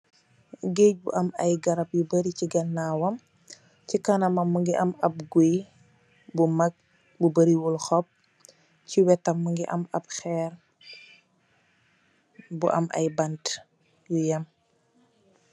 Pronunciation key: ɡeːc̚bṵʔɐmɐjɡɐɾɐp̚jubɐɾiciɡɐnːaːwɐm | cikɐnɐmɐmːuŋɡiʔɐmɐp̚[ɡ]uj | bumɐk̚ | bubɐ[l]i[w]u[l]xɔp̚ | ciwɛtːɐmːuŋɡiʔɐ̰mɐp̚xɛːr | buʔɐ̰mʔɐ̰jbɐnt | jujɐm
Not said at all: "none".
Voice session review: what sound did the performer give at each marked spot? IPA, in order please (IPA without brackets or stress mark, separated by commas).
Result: ɡ, ɾ, w, l